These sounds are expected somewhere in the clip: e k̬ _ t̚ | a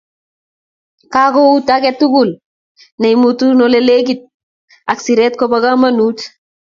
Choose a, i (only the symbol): i